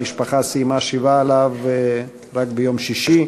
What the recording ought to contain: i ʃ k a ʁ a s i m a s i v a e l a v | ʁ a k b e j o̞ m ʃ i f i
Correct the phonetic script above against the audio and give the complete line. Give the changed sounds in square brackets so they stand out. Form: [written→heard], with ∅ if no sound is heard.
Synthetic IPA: i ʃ [k→p] a [ʁ→χ] a s i m a [s→ʃ] i v a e l a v | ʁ a k b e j o̞ m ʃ i [f→ʃ] i